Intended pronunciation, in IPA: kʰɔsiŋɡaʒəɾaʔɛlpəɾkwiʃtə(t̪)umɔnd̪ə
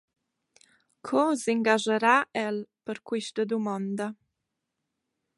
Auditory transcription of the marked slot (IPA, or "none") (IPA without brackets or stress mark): d̪